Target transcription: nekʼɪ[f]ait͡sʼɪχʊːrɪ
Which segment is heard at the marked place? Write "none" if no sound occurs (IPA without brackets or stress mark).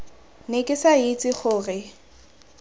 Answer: s